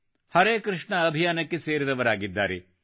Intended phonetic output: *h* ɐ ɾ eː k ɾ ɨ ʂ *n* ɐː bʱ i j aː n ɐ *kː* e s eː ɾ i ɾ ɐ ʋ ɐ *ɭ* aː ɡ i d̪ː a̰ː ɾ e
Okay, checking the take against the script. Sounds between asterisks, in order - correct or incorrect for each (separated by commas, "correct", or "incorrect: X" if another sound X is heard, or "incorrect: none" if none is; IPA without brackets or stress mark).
correct, incorrect: ɳ, correct, incorrect: ɾ